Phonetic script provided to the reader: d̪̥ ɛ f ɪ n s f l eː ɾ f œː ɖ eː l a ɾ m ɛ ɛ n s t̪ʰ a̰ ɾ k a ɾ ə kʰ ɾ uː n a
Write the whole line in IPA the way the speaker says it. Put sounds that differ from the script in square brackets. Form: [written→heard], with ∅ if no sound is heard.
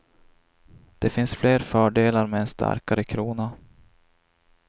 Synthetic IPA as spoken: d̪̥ ɛ f ɪ n s f l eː ɾ f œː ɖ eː l a ɾ m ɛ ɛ n s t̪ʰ a̰ ɾ k a ɾ ə kʰ ɾ uː n a